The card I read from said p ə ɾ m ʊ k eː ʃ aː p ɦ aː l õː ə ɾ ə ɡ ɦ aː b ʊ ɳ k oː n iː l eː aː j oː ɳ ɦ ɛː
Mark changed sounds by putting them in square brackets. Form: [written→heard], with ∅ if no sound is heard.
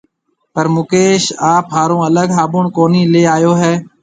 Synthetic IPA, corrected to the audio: p ə ɾ m ʊ k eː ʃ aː p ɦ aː [l→ɾ] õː ə [ɾ→l] ə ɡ ɦ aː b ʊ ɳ k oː n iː l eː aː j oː [ɳ→∅] ɦ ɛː